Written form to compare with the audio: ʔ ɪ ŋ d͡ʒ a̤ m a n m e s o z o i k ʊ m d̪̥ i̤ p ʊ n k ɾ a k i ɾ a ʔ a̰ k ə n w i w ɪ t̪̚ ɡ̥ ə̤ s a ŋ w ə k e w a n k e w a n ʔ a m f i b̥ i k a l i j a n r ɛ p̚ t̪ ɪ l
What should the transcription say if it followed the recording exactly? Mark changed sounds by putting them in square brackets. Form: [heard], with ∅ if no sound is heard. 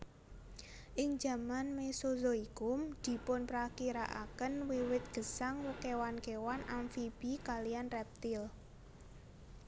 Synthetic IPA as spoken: ʔ ɪ ŋ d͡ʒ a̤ m a n m e s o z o i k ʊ m d̪̥ i̤ p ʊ n [p] ɾ a k i ɾ a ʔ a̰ k ə n w i w ɪ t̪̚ ɡ̥ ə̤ s a ŋ w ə k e w a n k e w a n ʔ a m f i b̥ i k a l i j a n r ɛ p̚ t̪ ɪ l